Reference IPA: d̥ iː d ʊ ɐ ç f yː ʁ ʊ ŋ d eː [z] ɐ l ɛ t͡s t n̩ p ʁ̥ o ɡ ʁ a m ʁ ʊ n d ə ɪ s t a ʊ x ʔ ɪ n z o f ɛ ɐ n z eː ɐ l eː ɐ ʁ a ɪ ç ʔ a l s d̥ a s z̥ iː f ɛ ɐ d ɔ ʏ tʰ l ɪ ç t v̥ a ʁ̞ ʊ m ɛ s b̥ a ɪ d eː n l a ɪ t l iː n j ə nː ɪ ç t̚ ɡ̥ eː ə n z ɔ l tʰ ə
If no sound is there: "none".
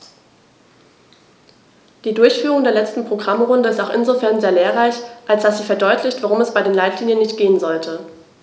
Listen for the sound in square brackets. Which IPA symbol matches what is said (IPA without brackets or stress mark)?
none